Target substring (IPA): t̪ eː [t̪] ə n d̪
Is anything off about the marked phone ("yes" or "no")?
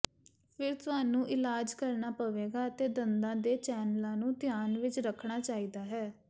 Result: yes